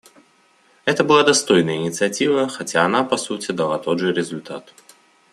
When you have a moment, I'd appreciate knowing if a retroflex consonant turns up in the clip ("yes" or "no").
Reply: yes